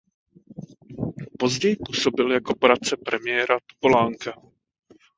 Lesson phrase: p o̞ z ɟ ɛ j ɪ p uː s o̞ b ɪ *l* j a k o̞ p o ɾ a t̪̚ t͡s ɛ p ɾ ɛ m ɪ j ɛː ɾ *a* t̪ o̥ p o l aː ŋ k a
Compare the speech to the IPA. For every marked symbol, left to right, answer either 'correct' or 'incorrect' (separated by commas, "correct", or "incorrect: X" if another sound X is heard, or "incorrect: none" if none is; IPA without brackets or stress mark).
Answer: correct, correct